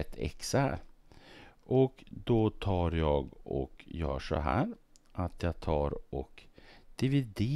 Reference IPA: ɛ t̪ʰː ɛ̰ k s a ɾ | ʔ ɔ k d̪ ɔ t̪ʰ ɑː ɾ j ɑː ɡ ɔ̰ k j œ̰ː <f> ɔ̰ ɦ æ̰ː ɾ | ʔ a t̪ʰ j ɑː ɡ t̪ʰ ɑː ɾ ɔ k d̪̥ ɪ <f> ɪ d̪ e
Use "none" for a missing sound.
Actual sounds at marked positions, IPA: ʂ, v

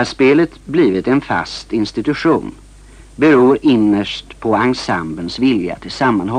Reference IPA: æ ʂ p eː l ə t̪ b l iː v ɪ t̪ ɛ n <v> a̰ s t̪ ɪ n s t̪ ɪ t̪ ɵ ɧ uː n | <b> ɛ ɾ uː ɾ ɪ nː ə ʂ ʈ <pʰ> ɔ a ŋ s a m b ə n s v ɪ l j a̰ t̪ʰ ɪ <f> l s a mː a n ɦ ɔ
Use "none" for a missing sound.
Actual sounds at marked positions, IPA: f, b, pʰ, none

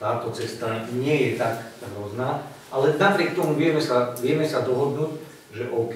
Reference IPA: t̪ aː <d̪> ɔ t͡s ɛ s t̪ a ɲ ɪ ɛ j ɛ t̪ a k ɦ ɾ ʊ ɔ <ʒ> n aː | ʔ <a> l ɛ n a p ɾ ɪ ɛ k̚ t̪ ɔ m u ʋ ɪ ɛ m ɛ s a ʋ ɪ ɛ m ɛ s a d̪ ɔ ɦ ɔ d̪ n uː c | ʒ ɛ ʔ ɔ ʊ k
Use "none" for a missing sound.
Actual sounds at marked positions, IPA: t̪, z, a

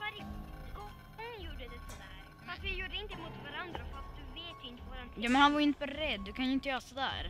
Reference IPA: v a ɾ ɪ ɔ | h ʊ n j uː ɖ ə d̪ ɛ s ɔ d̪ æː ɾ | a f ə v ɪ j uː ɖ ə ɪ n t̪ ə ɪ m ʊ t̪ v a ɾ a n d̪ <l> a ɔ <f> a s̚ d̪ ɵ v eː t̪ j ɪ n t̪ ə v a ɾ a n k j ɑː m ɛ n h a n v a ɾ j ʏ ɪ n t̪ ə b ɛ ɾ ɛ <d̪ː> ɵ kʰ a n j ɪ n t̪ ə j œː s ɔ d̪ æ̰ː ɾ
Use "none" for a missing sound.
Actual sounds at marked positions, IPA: ɾ, f, d̪ː

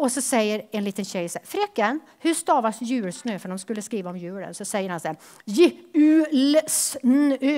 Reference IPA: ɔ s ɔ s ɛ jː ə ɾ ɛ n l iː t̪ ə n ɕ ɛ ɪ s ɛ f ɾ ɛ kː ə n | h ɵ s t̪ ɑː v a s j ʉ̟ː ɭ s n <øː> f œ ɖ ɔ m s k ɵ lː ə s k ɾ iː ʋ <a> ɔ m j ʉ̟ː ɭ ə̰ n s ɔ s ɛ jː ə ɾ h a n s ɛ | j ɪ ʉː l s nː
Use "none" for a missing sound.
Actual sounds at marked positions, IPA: øː, a

